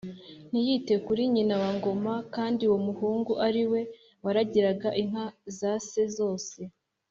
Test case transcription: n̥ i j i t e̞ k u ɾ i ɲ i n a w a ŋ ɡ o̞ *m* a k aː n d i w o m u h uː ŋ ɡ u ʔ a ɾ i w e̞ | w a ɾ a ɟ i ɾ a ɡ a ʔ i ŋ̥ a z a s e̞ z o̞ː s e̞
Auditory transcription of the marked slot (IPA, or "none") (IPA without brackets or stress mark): m